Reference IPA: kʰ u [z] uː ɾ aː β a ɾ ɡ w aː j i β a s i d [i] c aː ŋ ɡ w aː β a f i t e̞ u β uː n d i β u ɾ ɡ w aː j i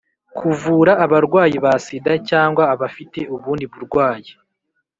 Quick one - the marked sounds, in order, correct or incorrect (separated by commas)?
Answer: incorrect, incorrect